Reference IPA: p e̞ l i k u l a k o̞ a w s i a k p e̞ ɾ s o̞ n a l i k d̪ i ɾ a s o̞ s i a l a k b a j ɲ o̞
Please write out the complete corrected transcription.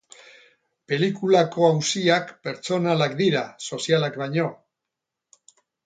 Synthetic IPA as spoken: p e̞ l i k u l a k o̞ a w s i a k p e̞ ɾ t͡s o̞ n a l a k d̪ i ɾ a s o̞ s i a l a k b a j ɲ o̞

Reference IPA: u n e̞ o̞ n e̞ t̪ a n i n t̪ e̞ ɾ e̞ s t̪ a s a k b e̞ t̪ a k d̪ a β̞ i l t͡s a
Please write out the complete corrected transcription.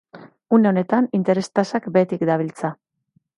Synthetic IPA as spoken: u n e̞ o̞ n e̞ t̪ a n i n t̪ e̞ ɾ e̞ s t̪ a s a k b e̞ t̪ i k d̪ a β̞ i l t͡s a

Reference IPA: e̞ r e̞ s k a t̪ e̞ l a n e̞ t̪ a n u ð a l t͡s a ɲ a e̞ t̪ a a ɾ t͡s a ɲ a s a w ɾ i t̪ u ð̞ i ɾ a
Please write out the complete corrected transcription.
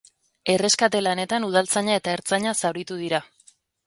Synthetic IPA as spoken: e̞ r e̞ s k a t̪ e̞ l a n e̞ t̪ a n u ð a l t͡s a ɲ a e̞ t̪ a e ɾ t͡s a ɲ a s a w ɾ i t̪ u ð̞ i ɾ a

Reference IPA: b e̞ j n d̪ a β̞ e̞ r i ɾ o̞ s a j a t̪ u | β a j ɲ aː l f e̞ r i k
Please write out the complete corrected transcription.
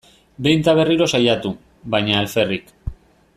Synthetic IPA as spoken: b e̞ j n t̪ a β̞ e̞ r i ɾ o̞ s a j a t̪ u | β a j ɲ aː l f e̞ r i k

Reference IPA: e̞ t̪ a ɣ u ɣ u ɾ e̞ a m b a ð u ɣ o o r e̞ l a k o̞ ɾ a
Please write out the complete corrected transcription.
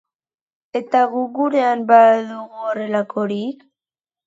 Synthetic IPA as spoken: e̞ t̪ a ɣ u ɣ u ɾ e̞ a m b a ð u ɣ u o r e̞ l a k o̞ ɾ i

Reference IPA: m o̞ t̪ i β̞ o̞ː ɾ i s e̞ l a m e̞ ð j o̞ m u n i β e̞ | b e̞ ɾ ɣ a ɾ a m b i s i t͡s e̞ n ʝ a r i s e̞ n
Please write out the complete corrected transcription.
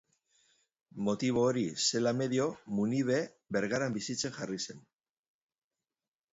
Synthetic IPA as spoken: m o̞ t̪ i β̞ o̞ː ɾ i s e̞ l a m e̞ ð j o̞ m u n i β e̞ | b e̞ ɾ ɣ a ɾ a m b i s i t͡s e̞ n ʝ a r i s e̞ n

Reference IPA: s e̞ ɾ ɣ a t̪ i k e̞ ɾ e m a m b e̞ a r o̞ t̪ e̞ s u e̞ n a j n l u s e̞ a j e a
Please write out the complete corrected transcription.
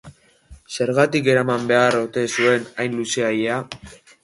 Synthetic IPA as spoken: s e̞ ɾ ɣ a t̪ i k e̞ ɾ a m a m b e̞ a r o̞ t̪ e̞ s u e̞ n a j n l u s e̞ a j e a

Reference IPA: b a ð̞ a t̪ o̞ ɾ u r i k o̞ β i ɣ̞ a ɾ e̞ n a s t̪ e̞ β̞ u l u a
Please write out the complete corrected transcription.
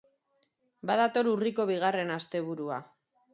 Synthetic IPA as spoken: b a ð̞ a t̪ o̞ ɾ u r i k o̞ β i ɣ̞ a r e̞ n a s t̪ e̞ β̞ u ɾ u a

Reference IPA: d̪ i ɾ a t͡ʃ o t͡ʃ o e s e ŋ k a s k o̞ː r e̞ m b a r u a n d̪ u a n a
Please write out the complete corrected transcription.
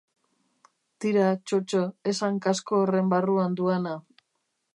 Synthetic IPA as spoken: t̪ i ɾ a t͡ʃ o t͡ʃ o e s a ŋ k a s k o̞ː r e̞ m b a r u a n d̪ u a n a

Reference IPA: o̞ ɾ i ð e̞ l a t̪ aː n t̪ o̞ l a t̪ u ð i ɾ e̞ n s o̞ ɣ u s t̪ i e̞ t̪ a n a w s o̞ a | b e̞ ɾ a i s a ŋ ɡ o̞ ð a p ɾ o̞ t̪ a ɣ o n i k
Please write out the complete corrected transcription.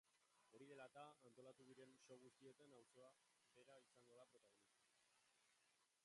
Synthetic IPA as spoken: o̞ ɾ i ð e̞ l a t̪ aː n t̪ o̞ l a t̪ u ð i ɾ e̞ n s o̞ ɣ u s t̪ i e̞ t̪ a n a w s o̞ a | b e̞ ɾ a i s a ŋ ɡ o̞ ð a p ɾ o̞ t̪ a ɣ o n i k

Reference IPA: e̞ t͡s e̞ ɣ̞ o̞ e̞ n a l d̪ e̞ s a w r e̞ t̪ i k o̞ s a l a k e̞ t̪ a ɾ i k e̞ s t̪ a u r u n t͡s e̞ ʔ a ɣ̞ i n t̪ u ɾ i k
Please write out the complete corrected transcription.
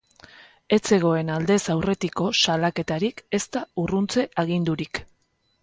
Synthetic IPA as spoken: e̞ t͡s e̞ ɣ̞ o̞ e̞ n a l d̪ e̞ s a w r e̞ t̪ i k o̞ s a l a k e̞ t̪ a ɾ i k e̞ s t̪ a u r u n t͡s e̞ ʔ a ɣ̞ i n d̪ u ɾ i k

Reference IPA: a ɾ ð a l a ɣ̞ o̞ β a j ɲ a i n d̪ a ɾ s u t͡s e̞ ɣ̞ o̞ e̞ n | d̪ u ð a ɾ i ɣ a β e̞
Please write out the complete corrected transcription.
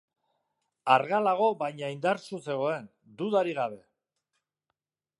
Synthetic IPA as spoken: a ɾ ɣ a l a ɣ̞ o̞ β a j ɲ a i n d̪ a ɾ s u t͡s e̞ ɣ̞ o̞ e̞ n | d̪ u ð a ɾ i ɣ a β e̞

